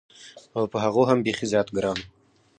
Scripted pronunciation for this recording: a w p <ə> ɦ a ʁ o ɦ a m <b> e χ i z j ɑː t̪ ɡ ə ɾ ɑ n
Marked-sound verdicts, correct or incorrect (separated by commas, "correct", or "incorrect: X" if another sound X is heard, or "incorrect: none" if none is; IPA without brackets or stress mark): correct, correct